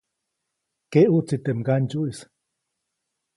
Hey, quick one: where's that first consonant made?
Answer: velum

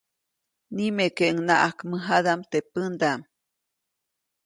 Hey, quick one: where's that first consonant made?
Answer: tongue tip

